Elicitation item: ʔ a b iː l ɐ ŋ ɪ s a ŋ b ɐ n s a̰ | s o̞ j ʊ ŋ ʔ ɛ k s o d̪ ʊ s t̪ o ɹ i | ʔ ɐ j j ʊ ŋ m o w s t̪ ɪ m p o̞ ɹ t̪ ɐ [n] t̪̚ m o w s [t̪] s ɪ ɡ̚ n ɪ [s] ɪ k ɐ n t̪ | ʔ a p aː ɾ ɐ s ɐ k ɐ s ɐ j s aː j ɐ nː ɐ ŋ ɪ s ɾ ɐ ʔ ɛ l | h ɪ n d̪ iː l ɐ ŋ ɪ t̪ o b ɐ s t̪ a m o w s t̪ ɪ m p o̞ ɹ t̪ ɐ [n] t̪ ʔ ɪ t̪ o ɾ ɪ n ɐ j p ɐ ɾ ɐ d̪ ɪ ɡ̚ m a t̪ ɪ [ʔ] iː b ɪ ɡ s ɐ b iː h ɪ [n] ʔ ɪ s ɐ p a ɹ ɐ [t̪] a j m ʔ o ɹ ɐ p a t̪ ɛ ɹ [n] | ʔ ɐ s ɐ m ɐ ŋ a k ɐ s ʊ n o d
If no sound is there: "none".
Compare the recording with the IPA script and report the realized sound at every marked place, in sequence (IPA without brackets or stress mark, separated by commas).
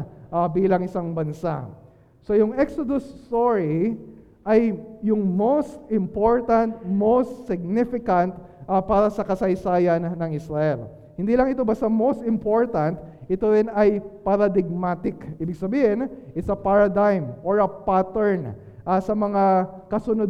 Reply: n, t̪, f, n, k, n, d̪, n